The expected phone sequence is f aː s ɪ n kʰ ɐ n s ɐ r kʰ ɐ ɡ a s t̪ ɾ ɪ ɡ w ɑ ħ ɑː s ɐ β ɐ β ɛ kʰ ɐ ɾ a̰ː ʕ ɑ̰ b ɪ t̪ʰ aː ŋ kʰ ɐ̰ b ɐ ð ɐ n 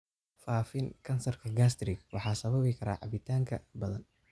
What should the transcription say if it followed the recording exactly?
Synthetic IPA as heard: f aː f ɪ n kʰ ɐ n s ɐ r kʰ ɐ ɡ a s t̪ ɾ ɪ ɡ w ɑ ħ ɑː s ɐ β ɐ β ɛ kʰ ɐ ɾ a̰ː ʕ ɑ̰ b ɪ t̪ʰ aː ŋ kʰ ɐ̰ b ɐ ð ɐ n